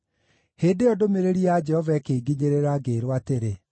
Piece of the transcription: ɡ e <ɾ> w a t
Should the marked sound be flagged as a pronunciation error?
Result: no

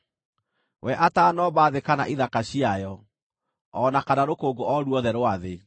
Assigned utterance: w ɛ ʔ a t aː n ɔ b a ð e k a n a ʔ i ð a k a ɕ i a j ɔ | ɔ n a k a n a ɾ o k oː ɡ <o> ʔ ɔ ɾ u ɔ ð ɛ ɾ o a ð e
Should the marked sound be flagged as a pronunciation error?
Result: no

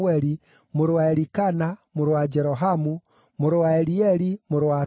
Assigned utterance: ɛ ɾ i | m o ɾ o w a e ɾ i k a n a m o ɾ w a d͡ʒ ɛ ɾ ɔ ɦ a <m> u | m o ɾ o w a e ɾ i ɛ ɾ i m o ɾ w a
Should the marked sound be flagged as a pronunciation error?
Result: no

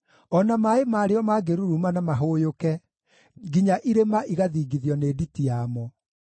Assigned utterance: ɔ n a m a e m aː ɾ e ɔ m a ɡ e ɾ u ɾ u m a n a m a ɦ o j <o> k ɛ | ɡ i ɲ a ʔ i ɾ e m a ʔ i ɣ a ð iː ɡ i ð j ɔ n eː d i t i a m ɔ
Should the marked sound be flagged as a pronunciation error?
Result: no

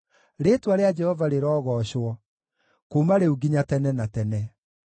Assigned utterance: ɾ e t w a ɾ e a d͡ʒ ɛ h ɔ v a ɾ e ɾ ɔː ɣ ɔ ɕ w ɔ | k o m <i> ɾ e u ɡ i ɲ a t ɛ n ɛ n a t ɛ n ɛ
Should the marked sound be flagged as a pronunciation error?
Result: yes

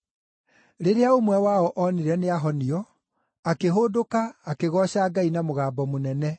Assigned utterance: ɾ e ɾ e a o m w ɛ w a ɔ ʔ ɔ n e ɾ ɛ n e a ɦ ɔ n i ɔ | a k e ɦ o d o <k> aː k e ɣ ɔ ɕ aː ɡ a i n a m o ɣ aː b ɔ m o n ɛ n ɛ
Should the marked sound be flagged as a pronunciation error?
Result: no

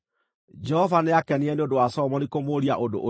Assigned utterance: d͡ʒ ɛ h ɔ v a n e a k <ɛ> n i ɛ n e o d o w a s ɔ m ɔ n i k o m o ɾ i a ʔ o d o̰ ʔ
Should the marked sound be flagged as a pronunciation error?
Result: no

